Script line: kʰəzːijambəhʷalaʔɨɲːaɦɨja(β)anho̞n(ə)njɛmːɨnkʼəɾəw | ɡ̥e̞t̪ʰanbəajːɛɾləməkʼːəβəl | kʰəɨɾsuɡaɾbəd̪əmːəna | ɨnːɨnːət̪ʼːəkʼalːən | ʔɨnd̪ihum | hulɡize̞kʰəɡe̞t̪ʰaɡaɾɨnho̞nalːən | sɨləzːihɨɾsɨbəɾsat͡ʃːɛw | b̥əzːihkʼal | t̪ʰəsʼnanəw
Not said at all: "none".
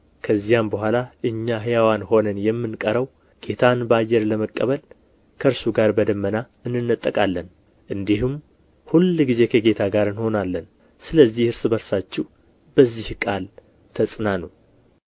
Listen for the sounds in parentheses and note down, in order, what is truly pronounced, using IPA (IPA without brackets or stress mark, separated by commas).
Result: w, ə